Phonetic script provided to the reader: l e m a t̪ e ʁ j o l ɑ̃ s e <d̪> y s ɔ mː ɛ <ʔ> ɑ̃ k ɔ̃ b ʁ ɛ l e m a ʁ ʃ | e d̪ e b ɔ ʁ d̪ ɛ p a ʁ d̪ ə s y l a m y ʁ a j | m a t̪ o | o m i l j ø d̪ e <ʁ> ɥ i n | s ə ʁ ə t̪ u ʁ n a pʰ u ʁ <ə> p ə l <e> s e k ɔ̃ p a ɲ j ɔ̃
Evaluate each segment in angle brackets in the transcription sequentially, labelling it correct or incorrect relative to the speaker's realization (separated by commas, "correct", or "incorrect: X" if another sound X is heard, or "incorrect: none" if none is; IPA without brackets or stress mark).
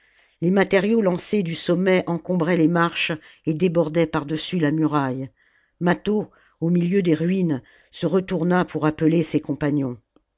correct, correct, correct, incorrect: a, correct